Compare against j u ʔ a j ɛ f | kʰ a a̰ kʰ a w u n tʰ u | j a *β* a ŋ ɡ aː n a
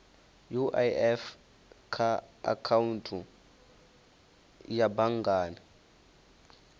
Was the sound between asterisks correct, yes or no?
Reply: no